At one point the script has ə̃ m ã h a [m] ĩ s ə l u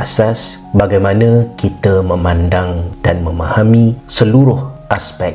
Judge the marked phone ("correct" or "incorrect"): correct